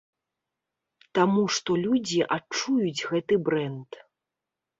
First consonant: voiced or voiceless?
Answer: voiceless